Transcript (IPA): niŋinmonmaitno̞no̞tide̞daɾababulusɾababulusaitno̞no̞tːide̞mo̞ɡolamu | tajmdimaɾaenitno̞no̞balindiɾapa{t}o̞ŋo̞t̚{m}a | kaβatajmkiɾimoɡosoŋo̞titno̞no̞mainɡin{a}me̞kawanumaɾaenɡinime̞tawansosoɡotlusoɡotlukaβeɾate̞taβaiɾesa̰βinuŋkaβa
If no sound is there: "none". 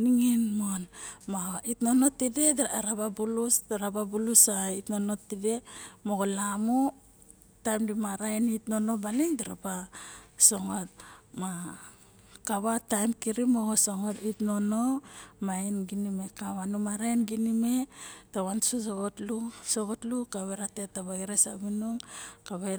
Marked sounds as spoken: s, m, i

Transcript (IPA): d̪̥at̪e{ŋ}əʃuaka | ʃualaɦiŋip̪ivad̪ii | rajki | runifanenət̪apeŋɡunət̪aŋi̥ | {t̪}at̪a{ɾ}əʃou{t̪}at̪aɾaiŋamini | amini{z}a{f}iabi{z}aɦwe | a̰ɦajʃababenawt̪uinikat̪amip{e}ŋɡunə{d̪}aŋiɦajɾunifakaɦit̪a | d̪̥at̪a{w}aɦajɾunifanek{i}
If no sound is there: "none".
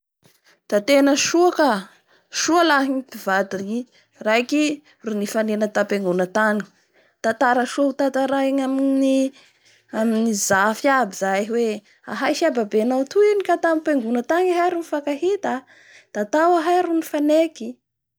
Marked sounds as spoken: n, t̪, ɾ, t̪, z, f, z, e, t̪, w, i

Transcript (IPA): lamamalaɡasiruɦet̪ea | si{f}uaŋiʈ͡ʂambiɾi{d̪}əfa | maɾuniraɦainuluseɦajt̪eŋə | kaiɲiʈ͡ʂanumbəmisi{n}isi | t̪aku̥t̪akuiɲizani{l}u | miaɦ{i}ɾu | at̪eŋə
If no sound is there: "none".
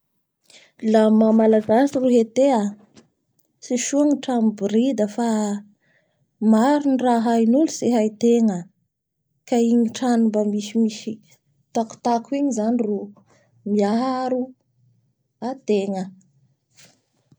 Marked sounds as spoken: ʃ, d̪, m, r, a

